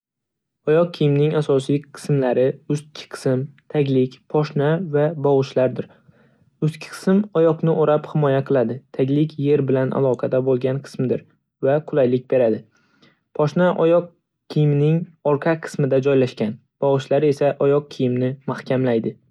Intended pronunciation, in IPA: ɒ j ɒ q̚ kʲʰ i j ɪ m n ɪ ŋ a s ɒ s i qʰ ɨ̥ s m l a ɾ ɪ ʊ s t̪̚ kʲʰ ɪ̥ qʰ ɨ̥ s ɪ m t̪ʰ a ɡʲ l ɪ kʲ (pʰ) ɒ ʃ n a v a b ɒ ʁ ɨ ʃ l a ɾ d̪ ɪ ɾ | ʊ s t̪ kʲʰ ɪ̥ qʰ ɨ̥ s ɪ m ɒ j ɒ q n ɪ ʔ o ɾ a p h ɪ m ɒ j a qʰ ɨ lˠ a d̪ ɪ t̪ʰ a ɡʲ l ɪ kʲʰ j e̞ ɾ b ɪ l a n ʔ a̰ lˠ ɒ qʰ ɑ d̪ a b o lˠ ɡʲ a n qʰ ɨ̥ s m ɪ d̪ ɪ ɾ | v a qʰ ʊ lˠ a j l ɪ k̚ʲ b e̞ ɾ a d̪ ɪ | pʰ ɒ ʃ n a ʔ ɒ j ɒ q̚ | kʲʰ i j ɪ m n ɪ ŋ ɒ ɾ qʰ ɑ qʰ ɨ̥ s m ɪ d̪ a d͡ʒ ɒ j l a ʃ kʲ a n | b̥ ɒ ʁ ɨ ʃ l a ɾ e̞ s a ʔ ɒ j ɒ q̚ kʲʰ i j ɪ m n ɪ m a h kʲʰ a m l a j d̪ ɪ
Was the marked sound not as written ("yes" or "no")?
no